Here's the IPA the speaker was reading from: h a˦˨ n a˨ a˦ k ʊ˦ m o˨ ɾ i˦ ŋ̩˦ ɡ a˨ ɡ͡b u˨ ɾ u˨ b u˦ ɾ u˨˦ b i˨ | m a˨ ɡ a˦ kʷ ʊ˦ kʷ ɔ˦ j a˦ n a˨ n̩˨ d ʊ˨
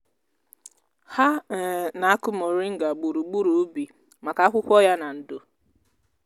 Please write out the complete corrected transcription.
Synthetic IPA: h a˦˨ n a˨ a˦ k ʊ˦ m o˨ ɾ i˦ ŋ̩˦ ɡ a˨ ɡ͡b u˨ ɾ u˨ ɡ͡b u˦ ɾ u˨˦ b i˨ | m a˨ k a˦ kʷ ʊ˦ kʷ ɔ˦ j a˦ n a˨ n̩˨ d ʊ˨